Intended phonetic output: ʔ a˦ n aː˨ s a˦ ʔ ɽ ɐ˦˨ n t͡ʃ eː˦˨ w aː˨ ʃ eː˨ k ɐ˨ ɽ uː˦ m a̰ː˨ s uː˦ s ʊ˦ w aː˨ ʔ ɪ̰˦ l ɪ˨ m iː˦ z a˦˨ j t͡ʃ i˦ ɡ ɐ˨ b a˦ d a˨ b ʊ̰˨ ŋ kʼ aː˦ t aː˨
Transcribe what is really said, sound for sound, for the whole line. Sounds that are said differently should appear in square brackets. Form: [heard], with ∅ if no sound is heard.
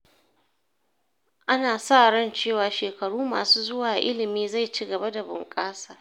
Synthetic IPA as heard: ʔ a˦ n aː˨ s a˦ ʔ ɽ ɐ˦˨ n t͡ʃ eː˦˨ w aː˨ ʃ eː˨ k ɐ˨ ɽ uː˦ m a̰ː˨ s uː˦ [z] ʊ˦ w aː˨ ʔ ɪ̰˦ l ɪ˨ m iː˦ z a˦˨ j t͡ʃ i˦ ɡ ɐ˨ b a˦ d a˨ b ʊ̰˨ ŋ kʼ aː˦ [s] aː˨